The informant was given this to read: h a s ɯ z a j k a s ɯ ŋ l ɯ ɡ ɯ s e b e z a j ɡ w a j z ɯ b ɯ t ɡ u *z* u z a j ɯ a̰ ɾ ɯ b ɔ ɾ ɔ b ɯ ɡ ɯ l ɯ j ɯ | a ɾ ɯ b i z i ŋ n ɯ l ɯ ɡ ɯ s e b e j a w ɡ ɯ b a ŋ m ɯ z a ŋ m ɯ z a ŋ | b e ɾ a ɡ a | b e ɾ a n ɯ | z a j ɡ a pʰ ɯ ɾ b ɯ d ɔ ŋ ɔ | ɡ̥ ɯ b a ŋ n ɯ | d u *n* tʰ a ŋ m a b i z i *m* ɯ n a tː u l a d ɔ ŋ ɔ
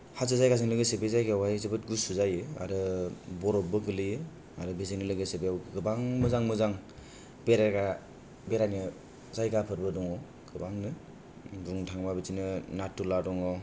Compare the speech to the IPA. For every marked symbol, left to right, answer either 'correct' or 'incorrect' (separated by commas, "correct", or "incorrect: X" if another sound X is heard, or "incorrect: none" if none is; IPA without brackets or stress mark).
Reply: incorrect: s, incorrect: ŋ, incorrect: n